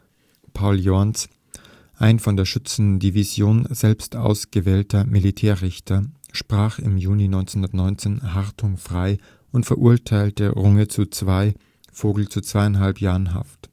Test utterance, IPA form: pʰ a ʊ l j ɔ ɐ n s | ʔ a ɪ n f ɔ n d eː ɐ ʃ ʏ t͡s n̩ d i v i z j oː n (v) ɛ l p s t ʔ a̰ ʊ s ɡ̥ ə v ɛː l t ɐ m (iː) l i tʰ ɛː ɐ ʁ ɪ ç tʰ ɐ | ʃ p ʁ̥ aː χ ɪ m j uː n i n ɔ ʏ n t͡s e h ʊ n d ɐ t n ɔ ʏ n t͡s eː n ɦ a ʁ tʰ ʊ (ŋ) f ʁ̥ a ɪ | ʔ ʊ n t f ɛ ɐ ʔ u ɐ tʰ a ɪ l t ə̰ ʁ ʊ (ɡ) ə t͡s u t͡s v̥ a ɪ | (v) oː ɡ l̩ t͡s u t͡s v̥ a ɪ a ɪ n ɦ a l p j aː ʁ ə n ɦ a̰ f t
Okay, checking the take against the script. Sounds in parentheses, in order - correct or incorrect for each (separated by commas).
incorrect, incorrect, correct, incorrect, incorrect